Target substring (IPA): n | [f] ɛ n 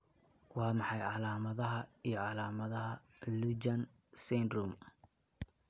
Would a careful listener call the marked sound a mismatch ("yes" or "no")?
yes